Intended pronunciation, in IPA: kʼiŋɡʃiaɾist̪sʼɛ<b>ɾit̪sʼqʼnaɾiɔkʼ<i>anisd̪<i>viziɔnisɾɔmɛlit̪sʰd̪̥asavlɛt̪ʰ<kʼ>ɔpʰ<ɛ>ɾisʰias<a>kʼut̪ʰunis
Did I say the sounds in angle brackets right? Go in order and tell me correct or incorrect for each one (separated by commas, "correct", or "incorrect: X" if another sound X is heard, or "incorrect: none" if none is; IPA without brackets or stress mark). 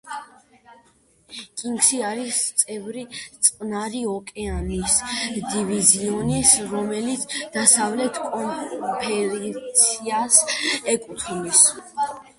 incorrect: v, incorrect: ɛ, correct, correct, correct, incorrect: ɛ